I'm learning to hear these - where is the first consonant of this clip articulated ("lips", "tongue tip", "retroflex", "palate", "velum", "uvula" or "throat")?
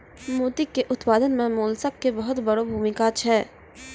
lips